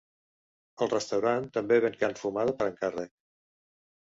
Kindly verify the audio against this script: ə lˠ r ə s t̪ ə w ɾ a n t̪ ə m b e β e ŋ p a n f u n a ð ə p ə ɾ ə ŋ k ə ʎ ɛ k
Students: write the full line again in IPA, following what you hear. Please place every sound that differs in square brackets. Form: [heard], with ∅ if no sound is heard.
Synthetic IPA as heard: ə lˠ r ə s t̪ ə w ɾ a n t̪ ə m b e β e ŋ [k] a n f u [m] a ð ə p ə ɾ ə ŋ k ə [r] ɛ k